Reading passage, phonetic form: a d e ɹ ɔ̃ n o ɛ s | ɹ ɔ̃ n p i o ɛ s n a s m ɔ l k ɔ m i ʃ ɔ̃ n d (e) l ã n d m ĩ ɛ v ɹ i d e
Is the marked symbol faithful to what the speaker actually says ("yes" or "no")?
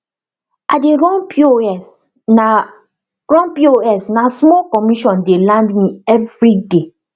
yes